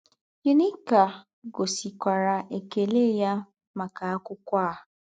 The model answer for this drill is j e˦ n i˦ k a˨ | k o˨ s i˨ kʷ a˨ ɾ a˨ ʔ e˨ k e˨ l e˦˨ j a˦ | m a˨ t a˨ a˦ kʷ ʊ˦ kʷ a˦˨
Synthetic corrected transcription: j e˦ n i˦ k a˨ | ɡ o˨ s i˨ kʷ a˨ ɾ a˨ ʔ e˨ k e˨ l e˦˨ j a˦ | m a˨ k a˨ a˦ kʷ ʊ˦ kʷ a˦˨